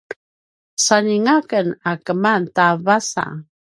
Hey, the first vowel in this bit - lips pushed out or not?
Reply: no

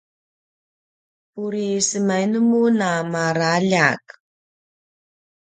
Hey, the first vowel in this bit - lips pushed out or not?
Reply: yes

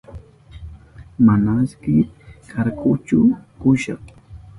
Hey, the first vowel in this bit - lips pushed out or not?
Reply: no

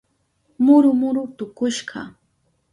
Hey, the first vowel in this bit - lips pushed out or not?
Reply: yes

